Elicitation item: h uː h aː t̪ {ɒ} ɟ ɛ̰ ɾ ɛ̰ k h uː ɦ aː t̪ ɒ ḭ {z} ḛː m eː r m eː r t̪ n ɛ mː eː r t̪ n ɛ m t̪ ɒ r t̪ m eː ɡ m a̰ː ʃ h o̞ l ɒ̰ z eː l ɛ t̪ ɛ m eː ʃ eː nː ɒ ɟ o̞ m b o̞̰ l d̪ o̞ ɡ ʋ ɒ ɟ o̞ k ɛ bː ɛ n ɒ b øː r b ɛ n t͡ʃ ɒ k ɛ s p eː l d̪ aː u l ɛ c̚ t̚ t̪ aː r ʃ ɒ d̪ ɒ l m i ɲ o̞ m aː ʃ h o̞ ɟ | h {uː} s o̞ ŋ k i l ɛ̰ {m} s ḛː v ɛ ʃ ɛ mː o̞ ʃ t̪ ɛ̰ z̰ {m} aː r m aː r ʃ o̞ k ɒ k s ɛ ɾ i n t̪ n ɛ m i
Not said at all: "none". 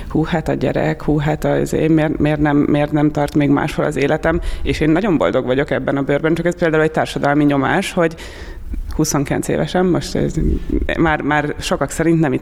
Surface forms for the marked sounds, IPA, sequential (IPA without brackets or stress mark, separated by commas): ɒ, z, u, n, m